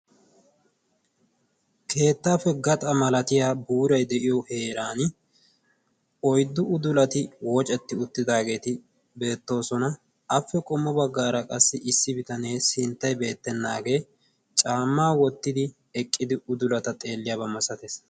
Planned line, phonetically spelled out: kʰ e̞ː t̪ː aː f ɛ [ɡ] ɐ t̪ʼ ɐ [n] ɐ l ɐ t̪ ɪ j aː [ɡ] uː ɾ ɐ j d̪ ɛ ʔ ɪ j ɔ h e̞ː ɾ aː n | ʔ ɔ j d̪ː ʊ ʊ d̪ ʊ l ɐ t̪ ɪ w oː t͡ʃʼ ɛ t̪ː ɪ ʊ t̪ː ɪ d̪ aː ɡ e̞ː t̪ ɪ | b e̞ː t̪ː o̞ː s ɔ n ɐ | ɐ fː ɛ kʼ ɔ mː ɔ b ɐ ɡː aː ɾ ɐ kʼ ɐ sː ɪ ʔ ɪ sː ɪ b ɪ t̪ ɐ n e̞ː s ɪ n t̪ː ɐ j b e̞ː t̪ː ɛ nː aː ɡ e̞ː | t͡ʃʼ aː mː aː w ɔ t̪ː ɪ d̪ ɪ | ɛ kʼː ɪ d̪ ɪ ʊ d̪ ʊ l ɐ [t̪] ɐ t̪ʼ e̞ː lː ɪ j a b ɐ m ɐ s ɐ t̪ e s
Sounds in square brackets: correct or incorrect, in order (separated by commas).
correct, incorrect, incorrect, correct